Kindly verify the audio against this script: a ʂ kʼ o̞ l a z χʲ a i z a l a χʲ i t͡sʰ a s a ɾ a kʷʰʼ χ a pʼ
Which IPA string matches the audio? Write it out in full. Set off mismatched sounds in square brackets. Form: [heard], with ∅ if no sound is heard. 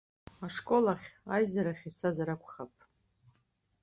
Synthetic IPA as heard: a ʂ kʼ o̞ l a [∅] χʲ a [j] z a [ɾ] a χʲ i t͡sʰ a [z] a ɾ a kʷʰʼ χ a pʼ